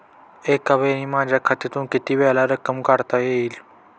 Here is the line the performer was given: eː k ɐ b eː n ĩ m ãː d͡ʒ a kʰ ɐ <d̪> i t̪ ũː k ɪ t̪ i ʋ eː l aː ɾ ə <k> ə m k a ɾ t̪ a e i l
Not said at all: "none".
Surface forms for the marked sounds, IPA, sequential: t̪, k

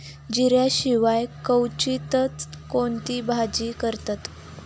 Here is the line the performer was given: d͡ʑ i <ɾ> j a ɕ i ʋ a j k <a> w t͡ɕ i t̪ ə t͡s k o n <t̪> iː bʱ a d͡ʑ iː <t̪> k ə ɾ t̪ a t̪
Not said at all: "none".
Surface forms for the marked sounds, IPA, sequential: ɾ, ə, t̪, none

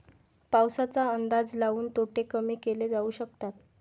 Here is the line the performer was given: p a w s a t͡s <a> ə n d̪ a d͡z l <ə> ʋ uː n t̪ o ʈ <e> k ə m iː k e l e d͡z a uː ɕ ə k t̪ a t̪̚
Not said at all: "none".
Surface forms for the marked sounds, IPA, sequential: a, a, e

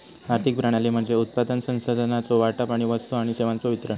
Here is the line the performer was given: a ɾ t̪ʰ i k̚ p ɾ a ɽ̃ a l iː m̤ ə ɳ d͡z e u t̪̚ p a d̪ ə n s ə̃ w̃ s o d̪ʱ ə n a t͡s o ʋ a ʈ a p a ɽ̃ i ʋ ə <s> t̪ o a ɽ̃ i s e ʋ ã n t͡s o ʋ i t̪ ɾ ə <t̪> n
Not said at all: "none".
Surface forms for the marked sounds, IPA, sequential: s, none

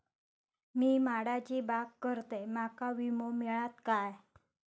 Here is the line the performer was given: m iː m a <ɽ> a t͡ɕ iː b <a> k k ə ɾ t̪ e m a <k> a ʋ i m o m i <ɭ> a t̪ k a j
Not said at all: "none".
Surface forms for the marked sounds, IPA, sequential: ɽ, a, k, ɭ

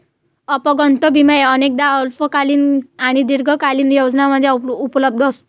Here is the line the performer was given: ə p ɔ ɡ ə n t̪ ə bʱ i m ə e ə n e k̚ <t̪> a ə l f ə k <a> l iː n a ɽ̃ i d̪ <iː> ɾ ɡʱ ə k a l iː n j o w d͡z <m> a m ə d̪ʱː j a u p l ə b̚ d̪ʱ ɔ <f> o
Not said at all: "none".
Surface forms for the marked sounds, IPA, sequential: d̪, a, i, n, s

